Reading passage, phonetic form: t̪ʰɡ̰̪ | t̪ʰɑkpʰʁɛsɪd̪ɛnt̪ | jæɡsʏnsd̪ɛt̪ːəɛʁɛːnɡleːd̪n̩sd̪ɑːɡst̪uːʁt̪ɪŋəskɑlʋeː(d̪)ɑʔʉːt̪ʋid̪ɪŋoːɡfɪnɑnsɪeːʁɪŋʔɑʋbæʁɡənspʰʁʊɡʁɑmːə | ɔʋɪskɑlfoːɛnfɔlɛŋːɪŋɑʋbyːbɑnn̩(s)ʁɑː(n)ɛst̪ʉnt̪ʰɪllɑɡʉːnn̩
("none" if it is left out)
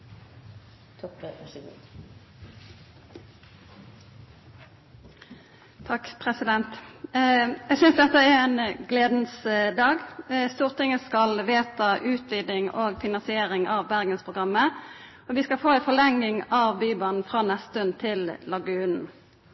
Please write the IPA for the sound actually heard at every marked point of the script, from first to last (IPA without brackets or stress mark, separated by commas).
t̪, f, n